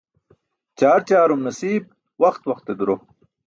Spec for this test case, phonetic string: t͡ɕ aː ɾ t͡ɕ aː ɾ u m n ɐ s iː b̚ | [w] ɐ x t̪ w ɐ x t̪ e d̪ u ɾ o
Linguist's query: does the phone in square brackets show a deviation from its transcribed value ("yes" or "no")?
no